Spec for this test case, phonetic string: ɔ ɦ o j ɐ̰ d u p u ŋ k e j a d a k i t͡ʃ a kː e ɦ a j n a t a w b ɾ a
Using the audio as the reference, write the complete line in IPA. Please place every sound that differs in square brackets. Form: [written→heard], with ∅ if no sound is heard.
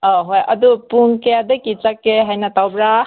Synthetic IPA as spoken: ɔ ɦ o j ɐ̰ d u p u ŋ k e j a d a k i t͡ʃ a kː e ɦ a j n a t a w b ɾ a